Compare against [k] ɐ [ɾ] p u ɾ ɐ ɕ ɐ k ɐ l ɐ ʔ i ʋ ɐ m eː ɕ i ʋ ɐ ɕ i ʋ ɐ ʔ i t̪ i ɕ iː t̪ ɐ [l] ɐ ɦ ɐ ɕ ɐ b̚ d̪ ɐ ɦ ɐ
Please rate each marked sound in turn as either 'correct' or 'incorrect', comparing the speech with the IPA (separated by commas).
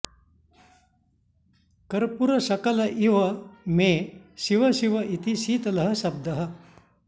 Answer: correct, correct, correct